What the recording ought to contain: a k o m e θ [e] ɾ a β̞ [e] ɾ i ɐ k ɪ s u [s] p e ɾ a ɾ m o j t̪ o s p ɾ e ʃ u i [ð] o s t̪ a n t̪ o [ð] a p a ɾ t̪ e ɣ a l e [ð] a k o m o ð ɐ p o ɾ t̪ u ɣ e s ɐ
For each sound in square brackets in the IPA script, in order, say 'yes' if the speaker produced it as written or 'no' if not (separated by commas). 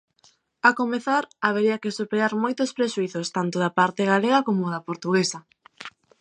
no, yes, no, no, yes, no